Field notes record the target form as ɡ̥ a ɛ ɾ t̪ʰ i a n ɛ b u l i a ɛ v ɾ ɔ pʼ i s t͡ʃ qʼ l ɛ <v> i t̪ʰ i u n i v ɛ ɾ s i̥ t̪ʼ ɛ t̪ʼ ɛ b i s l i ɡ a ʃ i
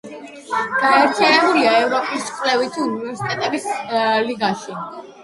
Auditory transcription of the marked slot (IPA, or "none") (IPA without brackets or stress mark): v